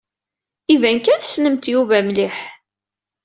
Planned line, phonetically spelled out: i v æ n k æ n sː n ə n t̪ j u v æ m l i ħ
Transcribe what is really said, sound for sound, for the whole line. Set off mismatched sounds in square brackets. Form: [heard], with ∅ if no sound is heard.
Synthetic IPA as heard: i v æ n k æ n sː n ə [m] t̪ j u v æ m l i ħ